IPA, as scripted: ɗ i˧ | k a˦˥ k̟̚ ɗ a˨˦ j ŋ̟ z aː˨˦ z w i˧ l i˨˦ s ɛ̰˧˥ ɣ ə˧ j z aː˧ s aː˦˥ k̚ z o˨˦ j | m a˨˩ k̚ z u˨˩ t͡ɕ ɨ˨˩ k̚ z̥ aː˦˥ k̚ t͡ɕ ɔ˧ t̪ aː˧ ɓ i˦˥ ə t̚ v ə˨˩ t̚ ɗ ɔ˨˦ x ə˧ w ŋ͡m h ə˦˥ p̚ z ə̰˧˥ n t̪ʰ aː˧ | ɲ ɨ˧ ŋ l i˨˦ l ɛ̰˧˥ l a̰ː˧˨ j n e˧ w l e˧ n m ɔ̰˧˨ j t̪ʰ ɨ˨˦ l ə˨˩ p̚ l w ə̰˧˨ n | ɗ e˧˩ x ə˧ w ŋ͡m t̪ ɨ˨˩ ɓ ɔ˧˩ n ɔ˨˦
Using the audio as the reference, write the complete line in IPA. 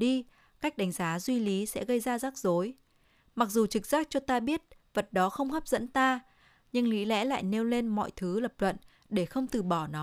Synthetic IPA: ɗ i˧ | k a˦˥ k̟̚ ɗ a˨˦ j ŋ̟ z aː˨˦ z w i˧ l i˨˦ s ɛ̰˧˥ ɣ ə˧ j z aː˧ z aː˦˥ k̚ z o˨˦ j | m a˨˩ k̚ z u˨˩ t͡ɕ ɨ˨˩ k̚ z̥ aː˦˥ k̚ t͡ɕ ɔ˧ t̪ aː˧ ɓ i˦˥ ə t̚ v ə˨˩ t̚ ɗ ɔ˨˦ x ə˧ w ŋ͡m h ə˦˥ p̚ z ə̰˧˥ n t̪ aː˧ | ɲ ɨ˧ ŋ l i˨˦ l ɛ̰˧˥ l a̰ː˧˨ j n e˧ w l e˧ n m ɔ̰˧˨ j t̪ʰ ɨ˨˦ l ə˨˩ p̚ l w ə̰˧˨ n | ɗ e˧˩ x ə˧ w ŋ͡m t̪ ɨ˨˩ ɓ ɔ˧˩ n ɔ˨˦